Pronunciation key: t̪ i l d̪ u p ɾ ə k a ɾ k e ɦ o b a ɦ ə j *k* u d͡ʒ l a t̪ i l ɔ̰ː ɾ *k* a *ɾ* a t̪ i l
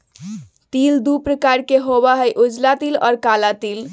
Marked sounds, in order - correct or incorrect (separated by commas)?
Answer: incorrect, correct, incorrect